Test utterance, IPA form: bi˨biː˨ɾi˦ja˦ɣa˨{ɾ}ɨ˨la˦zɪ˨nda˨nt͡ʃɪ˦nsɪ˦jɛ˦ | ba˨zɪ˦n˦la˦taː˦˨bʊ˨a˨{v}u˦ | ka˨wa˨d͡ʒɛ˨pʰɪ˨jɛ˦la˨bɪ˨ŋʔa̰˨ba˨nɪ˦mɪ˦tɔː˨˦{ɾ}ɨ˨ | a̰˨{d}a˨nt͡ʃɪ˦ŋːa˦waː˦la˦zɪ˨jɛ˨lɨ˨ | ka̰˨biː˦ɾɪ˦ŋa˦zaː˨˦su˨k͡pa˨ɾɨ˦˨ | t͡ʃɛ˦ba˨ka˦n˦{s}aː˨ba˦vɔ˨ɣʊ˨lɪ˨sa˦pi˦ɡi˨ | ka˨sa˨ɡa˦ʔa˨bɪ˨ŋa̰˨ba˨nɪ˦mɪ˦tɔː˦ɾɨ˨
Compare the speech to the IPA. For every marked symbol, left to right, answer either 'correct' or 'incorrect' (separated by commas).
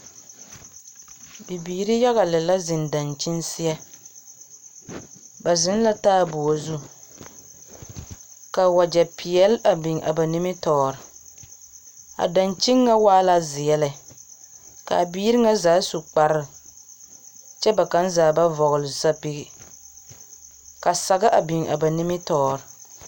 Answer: incorrect, incorrect, correct, correct, incorrect